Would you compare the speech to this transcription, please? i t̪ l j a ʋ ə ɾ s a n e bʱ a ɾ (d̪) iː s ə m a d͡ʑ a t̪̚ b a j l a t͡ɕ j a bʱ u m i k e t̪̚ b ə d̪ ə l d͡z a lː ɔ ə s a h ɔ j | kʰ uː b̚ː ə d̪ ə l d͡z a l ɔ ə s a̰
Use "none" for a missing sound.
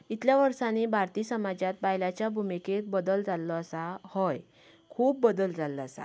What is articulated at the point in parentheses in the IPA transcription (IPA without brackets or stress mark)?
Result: t̪